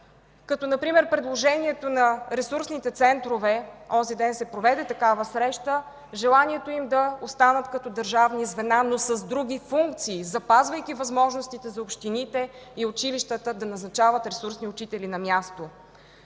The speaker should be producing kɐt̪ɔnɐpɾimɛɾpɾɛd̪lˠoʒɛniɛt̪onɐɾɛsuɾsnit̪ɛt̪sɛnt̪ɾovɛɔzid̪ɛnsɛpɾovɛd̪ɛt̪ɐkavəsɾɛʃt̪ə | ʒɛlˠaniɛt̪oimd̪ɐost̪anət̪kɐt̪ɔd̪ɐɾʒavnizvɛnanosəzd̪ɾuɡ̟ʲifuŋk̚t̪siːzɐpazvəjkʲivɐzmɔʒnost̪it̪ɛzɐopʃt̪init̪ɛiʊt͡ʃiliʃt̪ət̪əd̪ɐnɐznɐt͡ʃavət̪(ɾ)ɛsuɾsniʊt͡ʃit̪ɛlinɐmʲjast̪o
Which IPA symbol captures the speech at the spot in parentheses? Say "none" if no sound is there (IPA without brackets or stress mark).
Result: ɾ